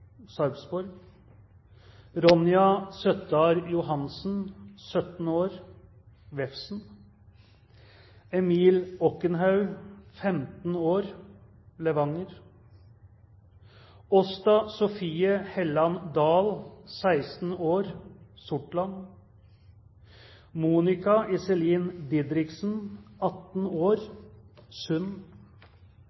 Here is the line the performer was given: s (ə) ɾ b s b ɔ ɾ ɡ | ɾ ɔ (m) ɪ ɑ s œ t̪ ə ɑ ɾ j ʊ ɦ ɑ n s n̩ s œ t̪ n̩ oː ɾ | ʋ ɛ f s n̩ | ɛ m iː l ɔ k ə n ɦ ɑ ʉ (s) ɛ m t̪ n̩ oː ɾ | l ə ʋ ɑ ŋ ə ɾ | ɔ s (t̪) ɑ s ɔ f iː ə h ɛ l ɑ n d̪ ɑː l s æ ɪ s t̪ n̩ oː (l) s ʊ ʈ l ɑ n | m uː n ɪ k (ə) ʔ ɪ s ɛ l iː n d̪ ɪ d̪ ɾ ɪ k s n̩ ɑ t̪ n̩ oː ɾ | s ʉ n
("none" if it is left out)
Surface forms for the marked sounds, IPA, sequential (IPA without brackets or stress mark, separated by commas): ɑ, n, f, t̪, ɾ, ɑ